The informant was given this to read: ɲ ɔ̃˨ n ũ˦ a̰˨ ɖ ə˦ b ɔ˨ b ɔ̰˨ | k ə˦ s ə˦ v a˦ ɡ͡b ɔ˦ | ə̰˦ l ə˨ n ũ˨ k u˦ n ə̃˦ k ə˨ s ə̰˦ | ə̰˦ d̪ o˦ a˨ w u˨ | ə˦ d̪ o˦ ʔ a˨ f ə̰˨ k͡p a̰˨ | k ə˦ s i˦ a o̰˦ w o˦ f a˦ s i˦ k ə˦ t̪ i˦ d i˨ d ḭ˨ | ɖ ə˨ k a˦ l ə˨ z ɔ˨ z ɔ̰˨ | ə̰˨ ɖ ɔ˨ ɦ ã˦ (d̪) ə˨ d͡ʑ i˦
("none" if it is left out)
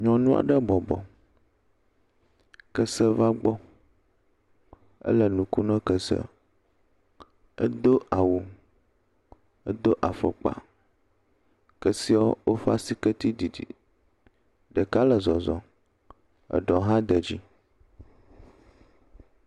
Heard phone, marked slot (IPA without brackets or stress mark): d̪